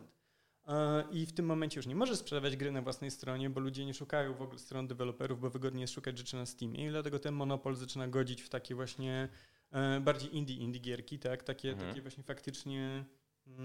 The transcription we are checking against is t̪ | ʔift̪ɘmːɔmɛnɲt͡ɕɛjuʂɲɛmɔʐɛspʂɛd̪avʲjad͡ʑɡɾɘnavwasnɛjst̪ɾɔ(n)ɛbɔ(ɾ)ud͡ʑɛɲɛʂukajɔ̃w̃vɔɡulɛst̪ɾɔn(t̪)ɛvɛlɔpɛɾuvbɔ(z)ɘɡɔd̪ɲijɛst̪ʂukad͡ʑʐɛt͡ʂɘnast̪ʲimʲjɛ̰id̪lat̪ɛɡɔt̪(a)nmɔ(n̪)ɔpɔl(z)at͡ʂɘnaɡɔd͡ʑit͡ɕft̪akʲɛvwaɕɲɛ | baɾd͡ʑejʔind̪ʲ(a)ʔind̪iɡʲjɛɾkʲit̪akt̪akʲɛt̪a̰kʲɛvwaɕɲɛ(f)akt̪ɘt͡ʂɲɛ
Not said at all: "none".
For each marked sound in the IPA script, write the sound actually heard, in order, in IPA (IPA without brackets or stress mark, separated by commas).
ɲ, l, d̪, v, ɛ, n̪, z, i, f